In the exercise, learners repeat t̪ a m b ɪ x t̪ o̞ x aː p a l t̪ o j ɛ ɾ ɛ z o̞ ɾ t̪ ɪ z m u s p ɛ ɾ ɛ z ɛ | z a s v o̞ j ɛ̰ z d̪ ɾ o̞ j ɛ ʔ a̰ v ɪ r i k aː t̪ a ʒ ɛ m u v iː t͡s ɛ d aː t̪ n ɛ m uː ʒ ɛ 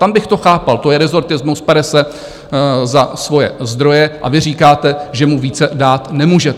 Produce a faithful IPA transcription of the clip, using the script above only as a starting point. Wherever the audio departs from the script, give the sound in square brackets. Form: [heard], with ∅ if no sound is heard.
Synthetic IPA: t̪ a m b ɪ x t̪ o̞ x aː p a l t̪ o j ɛ ɾ ɛ z o̞ ɾ t̪ ɪ z m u s p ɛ ɾ ɛ [s] ɛ | z a s v o̞ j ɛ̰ z d̪ ɾ o̞ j ɛ ʔ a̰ v ɪ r [iː] k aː t̪ [ɛ] ʒ ɛ m u v iː t͡s ɛ d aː t̪ n ɛ m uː ʒ ɛ